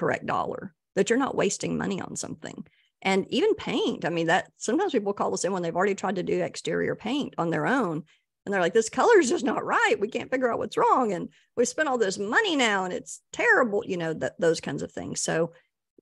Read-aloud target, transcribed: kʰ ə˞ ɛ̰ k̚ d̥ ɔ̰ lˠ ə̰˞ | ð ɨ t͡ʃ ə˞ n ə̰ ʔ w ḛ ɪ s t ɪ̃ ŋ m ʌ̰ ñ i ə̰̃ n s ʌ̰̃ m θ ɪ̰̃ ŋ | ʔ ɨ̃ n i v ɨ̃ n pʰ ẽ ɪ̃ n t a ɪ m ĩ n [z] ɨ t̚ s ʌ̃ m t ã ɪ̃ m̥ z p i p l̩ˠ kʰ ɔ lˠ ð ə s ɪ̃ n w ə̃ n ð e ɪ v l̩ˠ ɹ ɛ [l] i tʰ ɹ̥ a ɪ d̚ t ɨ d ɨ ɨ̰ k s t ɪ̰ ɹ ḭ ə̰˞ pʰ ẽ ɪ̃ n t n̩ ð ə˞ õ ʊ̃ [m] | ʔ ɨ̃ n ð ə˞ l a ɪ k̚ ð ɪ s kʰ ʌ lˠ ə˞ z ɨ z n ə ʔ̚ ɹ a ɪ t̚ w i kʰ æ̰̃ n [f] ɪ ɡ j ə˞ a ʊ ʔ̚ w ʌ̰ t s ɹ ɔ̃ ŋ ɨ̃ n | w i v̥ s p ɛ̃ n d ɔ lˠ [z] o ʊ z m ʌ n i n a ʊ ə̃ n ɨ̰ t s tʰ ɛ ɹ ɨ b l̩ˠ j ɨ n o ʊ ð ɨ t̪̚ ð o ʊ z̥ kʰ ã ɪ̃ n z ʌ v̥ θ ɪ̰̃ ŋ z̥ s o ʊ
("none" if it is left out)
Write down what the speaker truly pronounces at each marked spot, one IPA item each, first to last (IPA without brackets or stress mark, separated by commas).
ð, ɾ, n, f, ð